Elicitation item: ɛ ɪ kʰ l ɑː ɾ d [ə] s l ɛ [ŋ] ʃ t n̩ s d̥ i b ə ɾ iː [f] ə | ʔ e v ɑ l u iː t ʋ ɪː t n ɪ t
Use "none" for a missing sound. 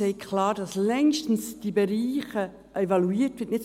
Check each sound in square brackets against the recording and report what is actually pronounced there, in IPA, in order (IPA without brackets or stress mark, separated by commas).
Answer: ɑ, ŋ, χ